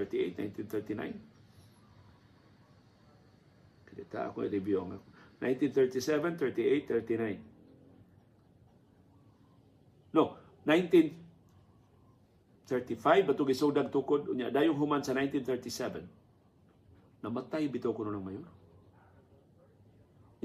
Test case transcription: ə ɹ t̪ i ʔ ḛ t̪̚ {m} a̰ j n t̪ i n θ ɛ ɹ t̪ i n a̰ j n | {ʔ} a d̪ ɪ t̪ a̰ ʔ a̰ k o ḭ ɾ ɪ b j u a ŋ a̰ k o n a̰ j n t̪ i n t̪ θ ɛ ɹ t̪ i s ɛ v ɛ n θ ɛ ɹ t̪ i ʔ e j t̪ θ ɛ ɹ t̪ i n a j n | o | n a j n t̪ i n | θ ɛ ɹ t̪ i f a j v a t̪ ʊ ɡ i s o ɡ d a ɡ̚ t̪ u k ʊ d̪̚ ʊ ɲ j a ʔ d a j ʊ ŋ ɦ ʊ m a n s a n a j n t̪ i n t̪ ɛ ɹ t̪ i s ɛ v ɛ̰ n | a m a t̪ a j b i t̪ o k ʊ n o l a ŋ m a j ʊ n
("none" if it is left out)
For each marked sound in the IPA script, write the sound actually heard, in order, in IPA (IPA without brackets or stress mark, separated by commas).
n, k